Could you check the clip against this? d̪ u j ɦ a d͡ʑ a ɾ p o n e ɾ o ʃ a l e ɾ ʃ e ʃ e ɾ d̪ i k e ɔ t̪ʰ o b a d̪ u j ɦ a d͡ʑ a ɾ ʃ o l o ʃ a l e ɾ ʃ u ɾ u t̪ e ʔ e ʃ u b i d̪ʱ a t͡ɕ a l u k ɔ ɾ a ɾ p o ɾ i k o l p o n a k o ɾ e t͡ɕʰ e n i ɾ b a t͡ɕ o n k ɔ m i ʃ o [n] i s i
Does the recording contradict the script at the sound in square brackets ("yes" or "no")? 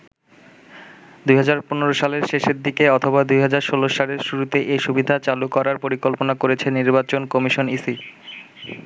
no